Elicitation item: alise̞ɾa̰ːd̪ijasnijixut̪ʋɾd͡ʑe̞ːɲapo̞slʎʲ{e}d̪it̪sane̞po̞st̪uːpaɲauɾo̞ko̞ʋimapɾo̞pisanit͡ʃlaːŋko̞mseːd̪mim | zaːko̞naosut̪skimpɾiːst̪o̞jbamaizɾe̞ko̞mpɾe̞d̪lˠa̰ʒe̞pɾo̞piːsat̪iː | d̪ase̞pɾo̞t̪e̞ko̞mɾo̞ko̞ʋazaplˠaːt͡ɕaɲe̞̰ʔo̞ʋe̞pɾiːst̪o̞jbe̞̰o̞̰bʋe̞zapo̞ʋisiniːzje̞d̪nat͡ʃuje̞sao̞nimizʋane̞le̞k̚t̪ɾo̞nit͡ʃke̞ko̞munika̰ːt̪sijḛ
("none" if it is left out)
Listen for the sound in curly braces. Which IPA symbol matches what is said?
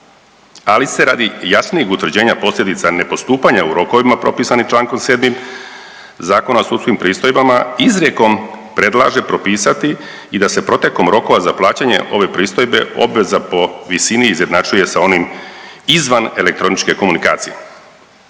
e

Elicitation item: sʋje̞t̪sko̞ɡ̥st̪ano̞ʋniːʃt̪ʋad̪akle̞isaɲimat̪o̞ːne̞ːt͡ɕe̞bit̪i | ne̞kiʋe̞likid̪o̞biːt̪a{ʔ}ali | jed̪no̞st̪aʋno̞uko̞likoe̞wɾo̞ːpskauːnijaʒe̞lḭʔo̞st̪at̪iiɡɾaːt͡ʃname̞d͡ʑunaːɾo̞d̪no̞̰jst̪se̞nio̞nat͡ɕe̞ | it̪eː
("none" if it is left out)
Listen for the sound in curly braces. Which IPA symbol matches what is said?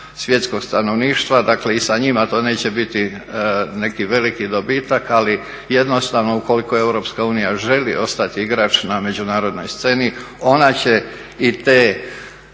k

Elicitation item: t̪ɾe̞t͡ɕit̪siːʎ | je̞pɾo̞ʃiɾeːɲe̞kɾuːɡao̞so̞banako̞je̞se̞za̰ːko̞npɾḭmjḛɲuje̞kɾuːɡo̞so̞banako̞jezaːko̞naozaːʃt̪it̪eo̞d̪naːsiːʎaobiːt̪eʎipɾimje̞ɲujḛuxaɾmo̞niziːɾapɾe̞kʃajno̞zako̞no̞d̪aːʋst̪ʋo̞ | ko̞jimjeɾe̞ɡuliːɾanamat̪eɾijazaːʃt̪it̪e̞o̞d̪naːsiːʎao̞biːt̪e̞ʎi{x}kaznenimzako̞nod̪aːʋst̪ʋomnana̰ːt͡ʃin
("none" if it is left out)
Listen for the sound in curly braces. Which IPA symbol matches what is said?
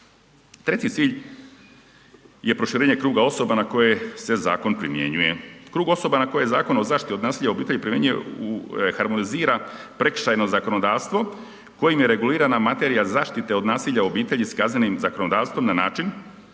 s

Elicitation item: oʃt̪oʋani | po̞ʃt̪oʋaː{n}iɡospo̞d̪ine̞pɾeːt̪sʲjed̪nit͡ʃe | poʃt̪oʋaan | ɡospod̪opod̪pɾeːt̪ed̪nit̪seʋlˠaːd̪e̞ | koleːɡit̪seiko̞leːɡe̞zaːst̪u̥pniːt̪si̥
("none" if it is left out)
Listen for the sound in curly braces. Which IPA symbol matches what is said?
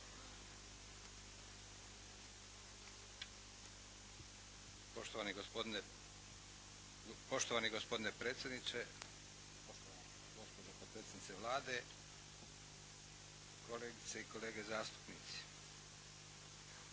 n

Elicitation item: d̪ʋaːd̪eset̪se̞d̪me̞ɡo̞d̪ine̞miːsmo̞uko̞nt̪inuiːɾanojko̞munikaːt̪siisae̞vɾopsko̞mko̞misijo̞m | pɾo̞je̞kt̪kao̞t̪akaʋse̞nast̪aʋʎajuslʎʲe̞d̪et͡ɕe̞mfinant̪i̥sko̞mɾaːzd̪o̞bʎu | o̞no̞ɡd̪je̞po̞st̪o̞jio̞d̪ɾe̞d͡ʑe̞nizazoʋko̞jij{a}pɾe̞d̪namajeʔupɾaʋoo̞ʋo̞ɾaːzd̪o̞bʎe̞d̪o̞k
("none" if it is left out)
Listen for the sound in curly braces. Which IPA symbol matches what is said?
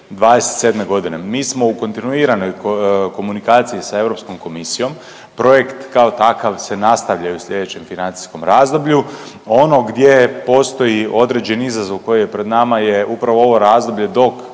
e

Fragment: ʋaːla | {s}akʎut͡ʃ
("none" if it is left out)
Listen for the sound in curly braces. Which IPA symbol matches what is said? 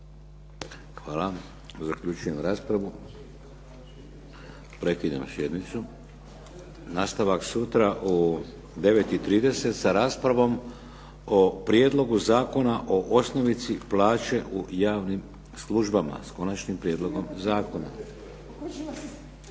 z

